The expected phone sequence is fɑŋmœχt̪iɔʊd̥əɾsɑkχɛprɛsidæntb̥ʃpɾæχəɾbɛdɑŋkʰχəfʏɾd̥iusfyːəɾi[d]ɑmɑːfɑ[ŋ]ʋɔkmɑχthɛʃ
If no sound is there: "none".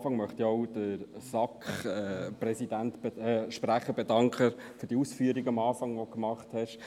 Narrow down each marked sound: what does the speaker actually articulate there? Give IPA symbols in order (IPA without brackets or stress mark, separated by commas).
ɡ, ŋ